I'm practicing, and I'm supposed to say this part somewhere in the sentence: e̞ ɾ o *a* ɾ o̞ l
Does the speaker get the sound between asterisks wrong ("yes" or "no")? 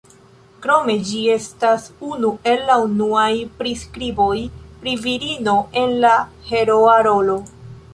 no